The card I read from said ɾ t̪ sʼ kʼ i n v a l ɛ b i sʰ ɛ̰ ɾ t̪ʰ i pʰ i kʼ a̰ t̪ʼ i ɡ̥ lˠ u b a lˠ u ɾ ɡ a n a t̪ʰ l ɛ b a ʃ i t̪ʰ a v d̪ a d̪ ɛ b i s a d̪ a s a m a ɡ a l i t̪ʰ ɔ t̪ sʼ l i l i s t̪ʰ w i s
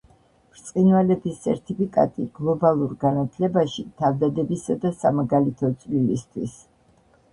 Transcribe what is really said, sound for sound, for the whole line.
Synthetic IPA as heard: ɾ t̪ sʼ qʼ i n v a l ɛ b i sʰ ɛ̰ ɾ t̪ʰ i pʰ i kʼ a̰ t̪ʼ i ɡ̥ lˠ ɔ b a lˠ u ɾ ɡ a n a t̪ʰ l ɛ b a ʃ i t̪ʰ a v d̪ a d̪ ɛ b i s a d̪ a s a m a ɡ a l i t̪ʰ ɔ t̪ sʼ l i l i s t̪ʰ w i s